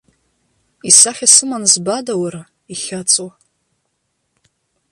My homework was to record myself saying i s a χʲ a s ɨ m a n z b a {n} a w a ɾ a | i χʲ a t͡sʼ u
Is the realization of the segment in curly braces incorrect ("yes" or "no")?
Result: yes